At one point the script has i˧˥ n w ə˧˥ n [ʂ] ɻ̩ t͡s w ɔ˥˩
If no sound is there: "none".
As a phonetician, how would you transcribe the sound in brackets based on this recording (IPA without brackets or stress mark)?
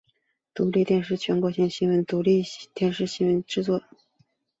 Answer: ʈ͡ʂ